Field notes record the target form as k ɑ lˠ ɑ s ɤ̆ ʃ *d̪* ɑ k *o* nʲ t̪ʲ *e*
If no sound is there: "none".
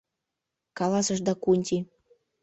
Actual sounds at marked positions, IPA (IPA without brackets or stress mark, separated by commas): d̪, u, i